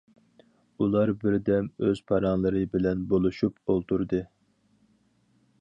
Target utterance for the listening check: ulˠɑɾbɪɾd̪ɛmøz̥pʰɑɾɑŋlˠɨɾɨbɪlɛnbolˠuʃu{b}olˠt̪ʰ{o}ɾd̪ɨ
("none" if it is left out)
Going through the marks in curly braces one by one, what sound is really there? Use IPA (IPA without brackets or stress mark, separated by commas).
p, u